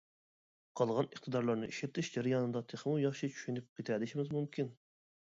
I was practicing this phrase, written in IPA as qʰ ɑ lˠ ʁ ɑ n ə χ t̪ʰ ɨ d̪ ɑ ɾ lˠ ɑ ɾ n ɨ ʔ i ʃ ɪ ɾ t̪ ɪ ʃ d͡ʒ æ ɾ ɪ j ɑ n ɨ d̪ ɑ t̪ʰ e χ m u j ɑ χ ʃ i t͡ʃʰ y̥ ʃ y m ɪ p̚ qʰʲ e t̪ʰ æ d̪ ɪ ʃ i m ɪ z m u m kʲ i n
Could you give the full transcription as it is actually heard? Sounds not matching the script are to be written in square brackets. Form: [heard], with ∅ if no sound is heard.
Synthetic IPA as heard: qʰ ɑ lˠ ʁ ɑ n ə χ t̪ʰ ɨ d̪ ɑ ɾ lˠ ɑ ɾ n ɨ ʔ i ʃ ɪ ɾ t̪ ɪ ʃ d͡ʒ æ ɾ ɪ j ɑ n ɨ d̪ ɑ t̪ʰ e χ m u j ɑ χ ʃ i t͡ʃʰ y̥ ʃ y [n] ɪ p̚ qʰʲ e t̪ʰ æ d̪ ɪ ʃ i m ɪ z m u m kʲ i n